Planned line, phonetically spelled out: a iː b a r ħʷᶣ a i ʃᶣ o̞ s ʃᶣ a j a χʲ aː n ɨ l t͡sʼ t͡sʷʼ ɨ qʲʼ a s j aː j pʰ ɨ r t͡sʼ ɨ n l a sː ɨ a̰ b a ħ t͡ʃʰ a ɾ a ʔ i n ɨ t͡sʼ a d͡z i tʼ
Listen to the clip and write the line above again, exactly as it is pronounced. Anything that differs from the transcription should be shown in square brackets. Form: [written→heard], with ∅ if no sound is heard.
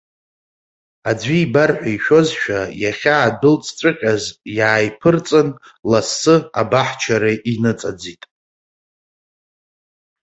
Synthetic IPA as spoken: a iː b a r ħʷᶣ a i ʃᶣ o̞ [s→z] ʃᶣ a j a χʲ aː [n→d] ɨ l t͡sʼ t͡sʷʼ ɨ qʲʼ a [s→z] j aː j pʰ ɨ r t͡sʼ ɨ n l a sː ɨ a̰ b a ħ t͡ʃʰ a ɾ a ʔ i n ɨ t͡sʼ a d͡z i tʼ